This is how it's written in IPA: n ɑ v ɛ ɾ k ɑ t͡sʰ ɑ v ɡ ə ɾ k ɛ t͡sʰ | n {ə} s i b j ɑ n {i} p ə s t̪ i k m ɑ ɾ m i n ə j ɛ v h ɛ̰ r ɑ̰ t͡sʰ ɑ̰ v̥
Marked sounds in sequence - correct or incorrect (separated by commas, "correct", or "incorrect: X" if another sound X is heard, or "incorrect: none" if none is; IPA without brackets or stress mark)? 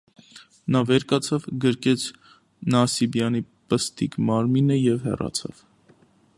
incorrect: ɑ, correct